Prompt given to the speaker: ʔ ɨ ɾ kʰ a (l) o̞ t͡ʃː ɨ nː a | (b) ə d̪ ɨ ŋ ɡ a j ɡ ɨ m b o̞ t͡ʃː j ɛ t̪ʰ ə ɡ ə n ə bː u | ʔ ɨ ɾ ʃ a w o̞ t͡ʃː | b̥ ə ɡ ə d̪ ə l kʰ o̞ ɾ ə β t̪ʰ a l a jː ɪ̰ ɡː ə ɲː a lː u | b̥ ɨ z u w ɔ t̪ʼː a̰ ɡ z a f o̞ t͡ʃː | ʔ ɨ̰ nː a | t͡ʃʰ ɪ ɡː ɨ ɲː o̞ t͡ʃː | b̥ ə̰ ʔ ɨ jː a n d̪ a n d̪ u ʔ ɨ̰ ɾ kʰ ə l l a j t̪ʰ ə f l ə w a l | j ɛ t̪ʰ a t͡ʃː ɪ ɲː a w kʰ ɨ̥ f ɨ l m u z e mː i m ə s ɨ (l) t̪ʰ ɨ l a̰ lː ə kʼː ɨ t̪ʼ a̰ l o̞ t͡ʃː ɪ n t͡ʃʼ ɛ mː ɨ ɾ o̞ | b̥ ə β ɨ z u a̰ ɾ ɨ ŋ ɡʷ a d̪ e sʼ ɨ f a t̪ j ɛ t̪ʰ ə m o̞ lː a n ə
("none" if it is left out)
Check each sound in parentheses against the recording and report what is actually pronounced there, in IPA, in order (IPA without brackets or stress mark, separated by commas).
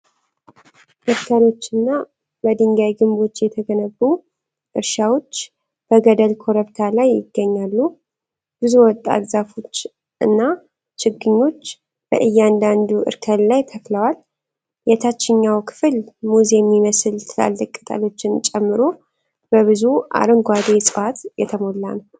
l, b, l